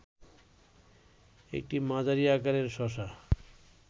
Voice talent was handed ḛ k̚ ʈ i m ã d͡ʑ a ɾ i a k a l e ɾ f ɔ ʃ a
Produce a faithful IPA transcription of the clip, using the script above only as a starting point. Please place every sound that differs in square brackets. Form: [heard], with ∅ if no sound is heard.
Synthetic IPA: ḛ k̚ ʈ i m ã d͡ʑ a ɾ i a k a [ɾ] e ɾ [ʃ] ɔ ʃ a